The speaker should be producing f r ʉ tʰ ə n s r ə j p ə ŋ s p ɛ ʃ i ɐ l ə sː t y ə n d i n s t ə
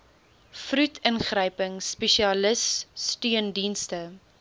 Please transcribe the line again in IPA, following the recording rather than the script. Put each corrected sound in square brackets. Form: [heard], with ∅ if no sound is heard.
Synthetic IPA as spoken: f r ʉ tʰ ə n [χ] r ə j p ə ŋ s p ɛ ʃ i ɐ l ə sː t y ə n d i n s t ə